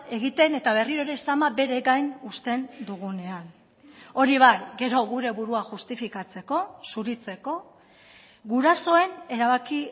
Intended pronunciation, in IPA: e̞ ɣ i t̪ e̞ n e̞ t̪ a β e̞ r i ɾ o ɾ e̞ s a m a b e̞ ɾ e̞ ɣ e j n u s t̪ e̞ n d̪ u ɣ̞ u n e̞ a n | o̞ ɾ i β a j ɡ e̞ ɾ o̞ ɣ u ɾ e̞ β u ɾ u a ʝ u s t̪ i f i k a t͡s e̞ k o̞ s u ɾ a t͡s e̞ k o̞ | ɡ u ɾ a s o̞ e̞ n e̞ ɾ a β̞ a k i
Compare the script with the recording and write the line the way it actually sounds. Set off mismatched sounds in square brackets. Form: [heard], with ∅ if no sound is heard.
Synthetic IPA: e̞ ɣ i t̪ e̞ n e̞ t̪ a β e̞ r i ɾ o ɾ e̞ s a m a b e̞ ɾ e̞ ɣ [a] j n u s t̪ e̞ n d̪ u ɣ̞ u n e̞ a n | o̞ ɾ i β a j ɡ e̞ ɾ o̞ ɣ u ɾ e̞ β u ɾ u a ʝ u s t̪ i f i k a t͡s e̞ k o̞ s u ɾ [i] t͡s e̞ k o̞ | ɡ u ɾ a s o̞ e̞ n e̞ ɾ a β̞ a k i